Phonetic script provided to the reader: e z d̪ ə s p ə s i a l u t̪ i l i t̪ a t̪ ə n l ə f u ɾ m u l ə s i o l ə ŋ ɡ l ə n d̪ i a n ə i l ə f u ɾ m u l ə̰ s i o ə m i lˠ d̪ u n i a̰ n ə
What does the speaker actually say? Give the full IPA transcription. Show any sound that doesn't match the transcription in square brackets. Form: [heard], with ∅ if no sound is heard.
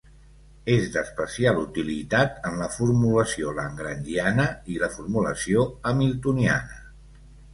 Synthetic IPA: e z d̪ ə s p ə s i a l u t̪ i l i t̪ a t̪ ə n l ə f u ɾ m u l ə s i o l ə ŋ ɡ [ɾ] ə n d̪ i a n ə i l ə f u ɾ m u l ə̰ s i o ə m i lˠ [t̪] u n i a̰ n ə